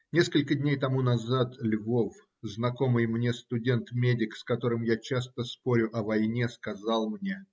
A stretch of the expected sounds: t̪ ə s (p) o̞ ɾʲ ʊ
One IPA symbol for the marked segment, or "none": p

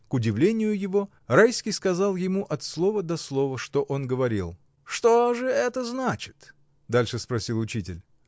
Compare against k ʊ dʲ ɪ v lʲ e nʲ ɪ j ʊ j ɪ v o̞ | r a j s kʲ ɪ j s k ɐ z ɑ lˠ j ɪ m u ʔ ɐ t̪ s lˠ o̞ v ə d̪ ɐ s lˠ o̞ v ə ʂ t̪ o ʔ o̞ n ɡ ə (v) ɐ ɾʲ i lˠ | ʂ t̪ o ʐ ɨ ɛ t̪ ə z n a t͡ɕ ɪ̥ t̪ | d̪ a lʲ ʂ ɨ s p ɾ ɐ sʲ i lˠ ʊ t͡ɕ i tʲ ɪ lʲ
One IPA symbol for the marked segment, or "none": v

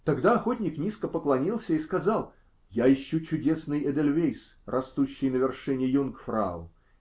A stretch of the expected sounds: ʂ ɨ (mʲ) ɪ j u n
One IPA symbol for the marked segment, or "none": nʲ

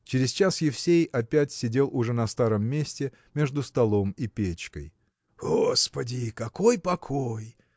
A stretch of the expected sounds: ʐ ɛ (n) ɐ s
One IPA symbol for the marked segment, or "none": n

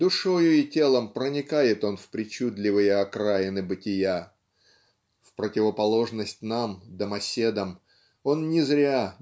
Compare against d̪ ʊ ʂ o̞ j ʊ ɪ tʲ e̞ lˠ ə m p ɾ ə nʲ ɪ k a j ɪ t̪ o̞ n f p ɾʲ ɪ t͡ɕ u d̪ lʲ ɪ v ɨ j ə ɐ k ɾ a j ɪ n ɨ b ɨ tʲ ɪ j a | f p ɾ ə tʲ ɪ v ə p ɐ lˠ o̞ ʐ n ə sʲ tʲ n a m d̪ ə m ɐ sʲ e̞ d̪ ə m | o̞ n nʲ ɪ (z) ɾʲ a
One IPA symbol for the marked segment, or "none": z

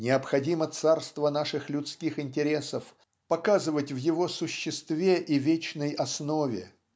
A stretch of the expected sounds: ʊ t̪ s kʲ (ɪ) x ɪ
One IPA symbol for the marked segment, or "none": i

